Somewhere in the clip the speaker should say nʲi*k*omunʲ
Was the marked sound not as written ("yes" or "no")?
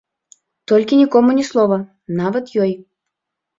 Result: no